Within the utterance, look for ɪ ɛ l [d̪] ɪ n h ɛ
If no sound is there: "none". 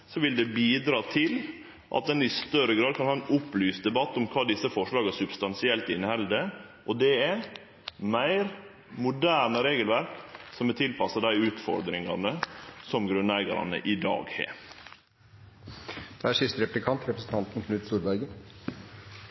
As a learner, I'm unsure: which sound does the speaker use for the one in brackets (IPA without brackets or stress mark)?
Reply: t̪